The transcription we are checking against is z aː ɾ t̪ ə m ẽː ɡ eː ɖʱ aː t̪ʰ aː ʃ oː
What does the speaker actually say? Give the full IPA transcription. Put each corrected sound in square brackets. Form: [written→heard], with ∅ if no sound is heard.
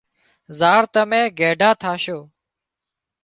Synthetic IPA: z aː ɾ t̪ ə m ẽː ɡ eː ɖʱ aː t̪ʰ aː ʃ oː